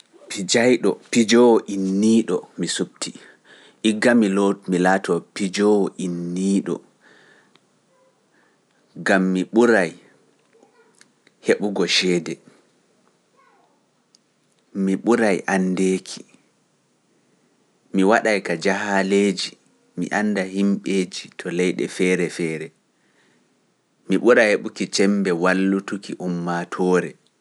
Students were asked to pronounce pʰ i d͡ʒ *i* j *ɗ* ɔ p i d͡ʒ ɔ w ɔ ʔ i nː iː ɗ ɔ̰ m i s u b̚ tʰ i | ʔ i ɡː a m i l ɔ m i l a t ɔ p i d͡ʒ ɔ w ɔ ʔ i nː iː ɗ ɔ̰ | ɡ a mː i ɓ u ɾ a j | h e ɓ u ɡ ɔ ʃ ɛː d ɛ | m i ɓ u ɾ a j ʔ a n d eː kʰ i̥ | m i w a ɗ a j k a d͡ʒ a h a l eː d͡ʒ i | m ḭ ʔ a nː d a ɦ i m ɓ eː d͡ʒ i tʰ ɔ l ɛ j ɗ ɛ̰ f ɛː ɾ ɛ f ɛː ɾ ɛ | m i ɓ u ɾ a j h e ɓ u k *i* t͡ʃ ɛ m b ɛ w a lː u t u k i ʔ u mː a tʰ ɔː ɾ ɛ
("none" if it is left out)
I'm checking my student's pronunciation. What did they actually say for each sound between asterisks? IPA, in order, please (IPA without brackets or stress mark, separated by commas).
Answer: a, ɗ, i